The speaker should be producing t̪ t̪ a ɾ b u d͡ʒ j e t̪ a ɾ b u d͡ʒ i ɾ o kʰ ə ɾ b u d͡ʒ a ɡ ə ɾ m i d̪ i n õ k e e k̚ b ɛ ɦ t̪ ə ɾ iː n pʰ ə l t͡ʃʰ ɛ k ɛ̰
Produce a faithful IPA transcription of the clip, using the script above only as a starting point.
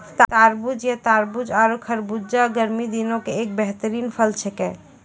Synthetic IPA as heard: t̪ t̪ a ɾ b u d͡ʒ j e t̪ a ɾ b u d͡ʒ a ɾ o kʰ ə ɾ b u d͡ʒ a ɡ ə ɾ m i d̪ i n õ k e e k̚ b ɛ ɦ t̪ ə ɾ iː n pʰ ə l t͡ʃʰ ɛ k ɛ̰

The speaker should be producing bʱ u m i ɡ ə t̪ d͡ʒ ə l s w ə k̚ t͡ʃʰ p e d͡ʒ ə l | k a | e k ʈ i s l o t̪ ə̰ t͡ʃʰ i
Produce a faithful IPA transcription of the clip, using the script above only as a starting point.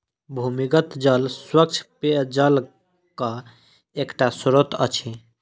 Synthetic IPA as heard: bʱ u m i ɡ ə t̪ d͡ʒ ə l s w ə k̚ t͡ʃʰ p e d͡ʒ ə l | k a | e k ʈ a s ɾ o t̪ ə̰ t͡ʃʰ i

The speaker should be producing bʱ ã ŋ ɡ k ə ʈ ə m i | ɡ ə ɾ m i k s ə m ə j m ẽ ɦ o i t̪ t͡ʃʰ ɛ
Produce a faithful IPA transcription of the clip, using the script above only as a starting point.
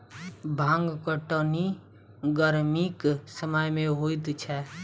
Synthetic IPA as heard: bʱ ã ŋ ɡ k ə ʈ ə n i | ɡ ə ɾ m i k s ə m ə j m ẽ ɦ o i t̪ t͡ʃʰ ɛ

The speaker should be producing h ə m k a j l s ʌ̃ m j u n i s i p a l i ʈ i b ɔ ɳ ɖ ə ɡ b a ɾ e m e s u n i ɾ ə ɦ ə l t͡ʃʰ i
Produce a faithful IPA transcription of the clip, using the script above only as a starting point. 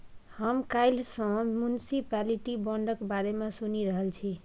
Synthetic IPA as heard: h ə m k a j l s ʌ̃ m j u n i s i p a l i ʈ i b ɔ ɳ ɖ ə k b a ɾ e m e s u n i ɾ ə ɦ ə l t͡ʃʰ i

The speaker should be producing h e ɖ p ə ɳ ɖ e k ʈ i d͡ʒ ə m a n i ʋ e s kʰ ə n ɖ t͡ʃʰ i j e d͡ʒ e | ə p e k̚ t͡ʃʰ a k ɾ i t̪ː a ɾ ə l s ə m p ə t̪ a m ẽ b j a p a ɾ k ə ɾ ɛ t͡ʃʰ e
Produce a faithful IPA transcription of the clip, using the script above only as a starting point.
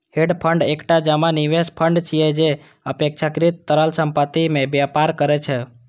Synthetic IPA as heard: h e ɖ pʰ ə ɳ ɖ e k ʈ a d͡ʒ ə m a n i ʋ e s pʰ ə ɳ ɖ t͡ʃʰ i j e d͡ʒ e | ə p e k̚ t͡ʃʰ a k ɾ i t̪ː ə ɾ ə l s ə m p ə t̪ i m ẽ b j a p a ɾ k ə ɾ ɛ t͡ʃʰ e

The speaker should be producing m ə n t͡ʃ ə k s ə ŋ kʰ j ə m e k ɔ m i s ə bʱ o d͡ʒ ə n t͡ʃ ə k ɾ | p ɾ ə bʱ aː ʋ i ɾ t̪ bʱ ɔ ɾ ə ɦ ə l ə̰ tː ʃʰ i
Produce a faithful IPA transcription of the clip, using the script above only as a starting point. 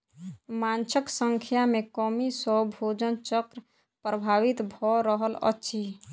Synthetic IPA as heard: m a n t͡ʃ ə k s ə ŋ kʰ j a m e k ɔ m i s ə bʱ o d͡ʒ ə n t͡ʃ ə k ɾ | p ɾ ə bʱ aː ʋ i t̪ bʱ ɔ ɾ ə ɦ ə l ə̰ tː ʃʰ i

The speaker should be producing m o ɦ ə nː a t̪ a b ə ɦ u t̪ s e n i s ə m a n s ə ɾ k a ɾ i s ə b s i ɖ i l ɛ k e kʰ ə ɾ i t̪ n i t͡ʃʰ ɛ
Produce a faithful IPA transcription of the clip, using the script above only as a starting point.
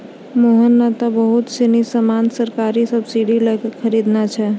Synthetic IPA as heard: m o ɦ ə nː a t̪ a b ə ɦ u t̪ s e n i s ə m a n s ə ɾ k a ɾ i s ə b s i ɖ i l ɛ k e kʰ ə ɾ i d̪ n a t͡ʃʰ ɛ

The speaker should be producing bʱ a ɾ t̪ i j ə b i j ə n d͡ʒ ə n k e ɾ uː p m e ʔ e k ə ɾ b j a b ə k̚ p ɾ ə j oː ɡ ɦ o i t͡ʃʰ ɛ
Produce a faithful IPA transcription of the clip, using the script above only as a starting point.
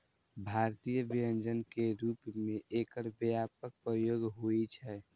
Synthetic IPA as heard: bʱ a ɾ t̪ i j ə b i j ə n d͡ʒ ə n k e ɾ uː p m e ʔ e k ə ɾ b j a p ə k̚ p ɾ ə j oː ɡ ɦ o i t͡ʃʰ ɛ

